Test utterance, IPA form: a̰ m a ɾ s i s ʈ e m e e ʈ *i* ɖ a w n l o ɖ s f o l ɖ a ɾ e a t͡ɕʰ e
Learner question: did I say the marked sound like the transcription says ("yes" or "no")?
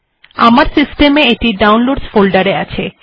yes